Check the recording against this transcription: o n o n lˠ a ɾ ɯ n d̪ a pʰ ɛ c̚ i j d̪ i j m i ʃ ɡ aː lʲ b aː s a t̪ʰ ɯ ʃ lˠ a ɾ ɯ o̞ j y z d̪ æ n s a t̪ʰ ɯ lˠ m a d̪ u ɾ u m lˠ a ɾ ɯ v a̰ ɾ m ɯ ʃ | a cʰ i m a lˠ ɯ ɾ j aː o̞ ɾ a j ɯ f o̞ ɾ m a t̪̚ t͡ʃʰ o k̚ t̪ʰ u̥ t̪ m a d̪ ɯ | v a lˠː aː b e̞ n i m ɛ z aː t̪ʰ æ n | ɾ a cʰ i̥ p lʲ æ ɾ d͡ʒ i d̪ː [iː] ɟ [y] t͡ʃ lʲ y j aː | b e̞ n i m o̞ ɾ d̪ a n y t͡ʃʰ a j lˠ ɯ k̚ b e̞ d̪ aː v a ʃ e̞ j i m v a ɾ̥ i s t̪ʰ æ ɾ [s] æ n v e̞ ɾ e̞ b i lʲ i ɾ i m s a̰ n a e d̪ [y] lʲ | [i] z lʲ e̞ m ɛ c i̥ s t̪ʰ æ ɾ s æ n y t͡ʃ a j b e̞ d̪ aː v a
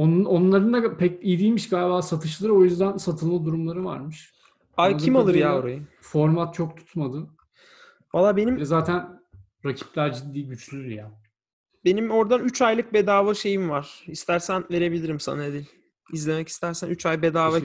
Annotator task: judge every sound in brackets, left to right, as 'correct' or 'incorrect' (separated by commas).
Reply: correct, correct, correct, incorrect, correct